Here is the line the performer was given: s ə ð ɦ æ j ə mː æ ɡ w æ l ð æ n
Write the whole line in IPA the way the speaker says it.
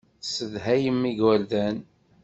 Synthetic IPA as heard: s ə ð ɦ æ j ə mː i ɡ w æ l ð æ n